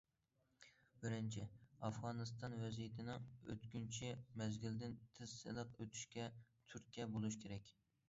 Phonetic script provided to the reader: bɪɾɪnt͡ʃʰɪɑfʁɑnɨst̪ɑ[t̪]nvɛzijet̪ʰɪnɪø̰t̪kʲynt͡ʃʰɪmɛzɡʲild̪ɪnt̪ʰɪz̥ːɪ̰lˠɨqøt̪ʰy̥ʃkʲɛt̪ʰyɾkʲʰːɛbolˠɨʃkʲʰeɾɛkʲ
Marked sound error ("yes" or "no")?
yes